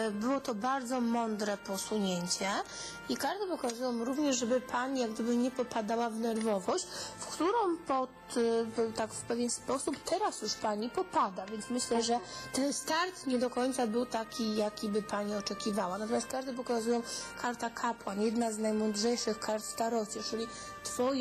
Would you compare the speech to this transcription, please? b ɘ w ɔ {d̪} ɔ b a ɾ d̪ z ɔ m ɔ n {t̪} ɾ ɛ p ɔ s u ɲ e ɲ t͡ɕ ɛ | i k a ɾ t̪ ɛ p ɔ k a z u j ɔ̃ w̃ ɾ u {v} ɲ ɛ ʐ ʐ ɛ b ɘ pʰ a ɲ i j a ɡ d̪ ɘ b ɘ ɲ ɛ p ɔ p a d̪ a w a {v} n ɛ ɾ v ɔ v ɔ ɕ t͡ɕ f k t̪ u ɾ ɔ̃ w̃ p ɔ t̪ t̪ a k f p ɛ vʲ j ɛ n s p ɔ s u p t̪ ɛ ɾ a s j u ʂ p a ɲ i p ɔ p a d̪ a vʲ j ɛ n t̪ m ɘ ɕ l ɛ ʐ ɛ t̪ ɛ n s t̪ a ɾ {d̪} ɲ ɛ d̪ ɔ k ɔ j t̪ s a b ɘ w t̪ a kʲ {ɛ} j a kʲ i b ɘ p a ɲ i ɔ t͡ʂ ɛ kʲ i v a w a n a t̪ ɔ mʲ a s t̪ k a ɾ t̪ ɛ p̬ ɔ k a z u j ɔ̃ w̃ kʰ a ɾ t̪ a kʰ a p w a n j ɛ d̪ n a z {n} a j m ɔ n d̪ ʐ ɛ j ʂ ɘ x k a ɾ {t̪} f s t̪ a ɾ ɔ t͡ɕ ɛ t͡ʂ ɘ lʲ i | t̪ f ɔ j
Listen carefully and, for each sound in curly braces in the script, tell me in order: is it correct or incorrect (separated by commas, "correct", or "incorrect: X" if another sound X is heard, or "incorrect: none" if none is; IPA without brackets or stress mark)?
incorrect: t̪, incorrect: d̪, correct, correct, incorrect: t̪, incorrect: i, correct, correct